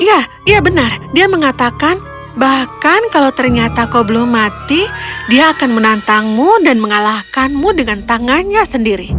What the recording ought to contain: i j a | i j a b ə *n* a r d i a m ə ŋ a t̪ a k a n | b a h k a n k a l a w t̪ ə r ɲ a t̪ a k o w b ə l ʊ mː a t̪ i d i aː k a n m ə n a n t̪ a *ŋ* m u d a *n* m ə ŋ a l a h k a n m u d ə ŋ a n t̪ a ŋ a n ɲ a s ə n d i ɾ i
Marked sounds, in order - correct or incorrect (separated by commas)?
correct, correct, correct